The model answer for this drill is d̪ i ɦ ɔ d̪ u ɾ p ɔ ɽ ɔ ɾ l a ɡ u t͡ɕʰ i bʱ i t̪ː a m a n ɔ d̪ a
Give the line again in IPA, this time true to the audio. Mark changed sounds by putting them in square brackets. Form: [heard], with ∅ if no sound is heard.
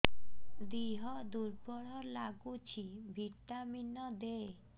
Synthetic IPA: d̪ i ɦ ɔ d̪ u ɾ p ɔ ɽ ɔ ɾ l a ɡ u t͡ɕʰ i bʱ i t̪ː a m [i] n ɔ d̪ [e]